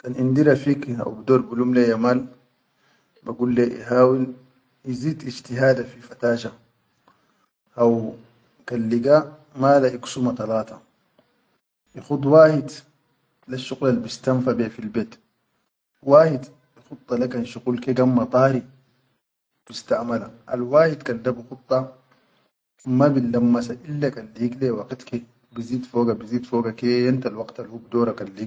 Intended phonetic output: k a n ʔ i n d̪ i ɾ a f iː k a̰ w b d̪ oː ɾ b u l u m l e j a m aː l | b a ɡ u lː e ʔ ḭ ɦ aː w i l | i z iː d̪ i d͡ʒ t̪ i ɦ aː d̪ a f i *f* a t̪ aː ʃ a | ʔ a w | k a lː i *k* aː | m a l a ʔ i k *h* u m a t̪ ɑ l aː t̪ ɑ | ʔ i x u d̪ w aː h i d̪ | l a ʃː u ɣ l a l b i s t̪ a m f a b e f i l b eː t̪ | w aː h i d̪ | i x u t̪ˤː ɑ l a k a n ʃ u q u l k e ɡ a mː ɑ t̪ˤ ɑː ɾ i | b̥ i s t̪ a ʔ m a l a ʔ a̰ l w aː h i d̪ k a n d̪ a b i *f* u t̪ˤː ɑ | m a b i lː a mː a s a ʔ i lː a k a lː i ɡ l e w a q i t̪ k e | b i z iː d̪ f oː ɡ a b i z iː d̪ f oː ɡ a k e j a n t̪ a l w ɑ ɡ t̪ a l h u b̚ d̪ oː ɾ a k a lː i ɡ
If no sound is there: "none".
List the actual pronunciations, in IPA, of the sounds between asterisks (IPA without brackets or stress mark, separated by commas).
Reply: f, ɡ, s, x